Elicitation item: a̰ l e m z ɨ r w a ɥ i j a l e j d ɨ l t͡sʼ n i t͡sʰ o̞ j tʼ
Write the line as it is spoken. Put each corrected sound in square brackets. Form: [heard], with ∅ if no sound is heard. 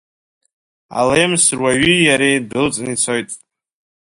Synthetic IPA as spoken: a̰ l e m [s] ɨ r w a ɥ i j a [ɾ] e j d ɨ l t͡sʼ n i t͡sʰ o̞ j tʼ